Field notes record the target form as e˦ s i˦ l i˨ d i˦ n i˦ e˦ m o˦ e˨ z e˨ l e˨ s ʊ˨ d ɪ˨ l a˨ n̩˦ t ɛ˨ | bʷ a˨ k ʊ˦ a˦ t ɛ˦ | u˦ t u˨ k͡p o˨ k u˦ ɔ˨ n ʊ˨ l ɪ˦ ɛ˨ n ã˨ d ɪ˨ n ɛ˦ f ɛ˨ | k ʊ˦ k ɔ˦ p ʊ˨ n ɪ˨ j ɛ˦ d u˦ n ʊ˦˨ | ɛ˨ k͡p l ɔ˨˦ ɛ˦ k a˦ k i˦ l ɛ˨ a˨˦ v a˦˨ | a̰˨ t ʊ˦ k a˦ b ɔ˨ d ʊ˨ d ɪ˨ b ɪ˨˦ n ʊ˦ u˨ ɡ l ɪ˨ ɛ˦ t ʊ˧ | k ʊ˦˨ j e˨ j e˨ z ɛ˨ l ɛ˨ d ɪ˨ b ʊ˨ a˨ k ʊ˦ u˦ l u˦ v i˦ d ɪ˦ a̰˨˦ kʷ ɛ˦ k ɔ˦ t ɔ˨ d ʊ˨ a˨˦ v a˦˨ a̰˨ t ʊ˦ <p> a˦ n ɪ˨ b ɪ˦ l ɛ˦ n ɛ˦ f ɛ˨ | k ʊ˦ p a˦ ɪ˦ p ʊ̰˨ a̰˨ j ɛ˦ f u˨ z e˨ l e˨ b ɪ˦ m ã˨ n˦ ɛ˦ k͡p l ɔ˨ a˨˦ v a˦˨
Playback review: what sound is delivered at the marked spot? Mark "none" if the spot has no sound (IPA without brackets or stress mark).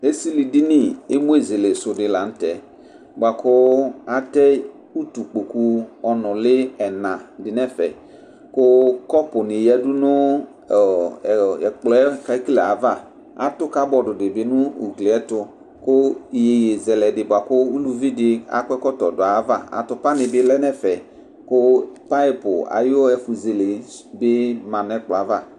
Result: p